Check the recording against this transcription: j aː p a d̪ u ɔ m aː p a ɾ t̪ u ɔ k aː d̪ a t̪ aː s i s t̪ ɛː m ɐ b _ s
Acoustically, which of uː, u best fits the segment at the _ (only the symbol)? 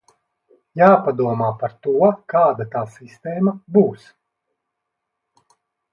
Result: uː